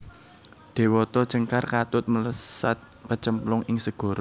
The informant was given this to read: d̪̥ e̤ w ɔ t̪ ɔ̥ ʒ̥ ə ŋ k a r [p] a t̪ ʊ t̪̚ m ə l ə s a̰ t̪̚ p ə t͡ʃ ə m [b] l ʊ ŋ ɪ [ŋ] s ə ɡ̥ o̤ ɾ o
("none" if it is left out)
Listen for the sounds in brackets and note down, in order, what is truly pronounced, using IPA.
k, p, ŋ

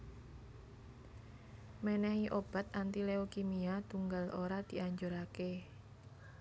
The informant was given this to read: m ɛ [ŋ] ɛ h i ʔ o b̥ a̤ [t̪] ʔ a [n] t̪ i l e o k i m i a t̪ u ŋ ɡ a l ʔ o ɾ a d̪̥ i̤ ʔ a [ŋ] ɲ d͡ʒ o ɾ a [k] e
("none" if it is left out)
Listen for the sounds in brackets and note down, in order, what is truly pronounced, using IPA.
n, t̪, n, none, k

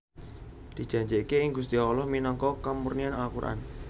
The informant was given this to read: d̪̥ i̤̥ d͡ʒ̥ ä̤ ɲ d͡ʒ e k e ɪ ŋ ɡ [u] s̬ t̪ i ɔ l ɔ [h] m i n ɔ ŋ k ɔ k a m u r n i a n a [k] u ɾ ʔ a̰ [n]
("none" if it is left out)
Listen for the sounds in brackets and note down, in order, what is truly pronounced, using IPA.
u, h, k, n

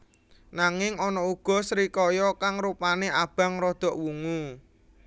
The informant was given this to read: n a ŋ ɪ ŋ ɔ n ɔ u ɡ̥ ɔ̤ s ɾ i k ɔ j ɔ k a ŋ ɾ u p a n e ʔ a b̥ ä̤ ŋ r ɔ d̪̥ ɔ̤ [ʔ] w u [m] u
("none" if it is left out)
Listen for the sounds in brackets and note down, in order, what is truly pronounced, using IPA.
ʔ, ŋ

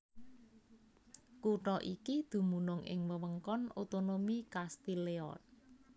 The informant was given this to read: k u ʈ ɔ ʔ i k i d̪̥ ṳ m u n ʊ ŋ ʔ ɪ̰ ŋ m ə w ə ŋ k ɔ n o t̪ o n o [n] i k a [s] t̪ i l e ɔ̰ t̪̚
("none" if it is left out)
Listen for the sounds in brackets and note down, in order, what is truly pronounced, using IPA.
m, s

